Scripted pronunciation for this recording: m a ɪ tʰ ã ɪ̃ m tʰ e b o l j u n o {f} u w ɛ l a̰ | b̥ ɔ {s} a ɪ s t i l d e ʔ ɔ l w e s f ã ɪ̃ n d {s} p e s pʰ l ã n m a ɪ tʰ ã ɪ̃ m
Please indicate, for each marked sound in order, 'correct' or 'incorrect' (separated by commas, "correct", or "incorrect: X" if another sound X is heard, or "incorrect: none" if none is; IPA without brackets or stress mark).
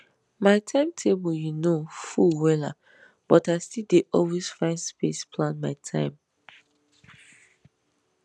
correct, incorrect: t, correct